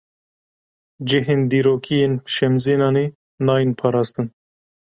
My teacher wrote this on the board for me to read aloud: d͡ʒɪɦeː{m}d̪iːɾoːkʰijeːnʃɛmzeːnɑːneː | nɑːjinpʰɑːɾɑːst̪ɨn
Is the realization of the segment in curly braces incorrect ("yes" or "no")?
yes